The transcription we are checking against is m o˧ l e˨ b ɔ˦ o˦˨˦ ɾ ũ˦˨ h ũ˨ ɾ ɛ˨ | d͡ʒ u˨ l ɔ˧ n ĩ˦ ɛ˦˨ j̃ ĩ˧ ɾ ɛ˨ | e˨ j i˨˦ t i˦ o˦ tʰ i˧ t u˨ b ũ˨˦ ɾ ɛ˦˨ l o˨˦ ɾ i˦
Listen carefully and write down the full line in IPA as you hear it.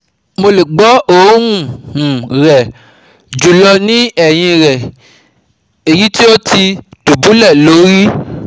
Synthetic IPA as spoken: m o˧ l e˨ ɡ͡b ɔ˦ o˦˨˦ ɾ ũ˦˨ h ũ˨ ɾ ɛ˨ | d͡ʒ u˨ l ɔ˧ n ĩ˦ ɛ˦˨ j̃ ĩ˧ ɾ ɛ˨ | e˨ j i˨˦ t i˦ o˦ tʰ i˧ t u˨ b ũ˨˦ l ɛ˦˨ l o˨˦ ɾ i˦